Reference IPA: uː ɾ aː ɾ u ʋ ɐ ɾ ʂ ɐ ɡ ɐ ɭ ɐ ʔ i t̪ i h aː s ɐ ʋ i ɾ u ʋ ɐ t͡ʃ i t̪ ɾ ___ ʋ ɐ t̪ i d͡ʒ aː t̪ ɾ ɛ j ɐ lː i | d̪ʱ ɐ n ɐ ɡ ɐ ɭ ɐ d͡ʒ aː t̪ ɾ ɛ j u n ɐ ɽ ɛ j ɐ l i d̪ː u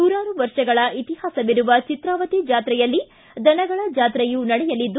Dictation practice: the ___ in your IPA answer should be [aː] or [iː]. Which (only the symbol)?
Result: aː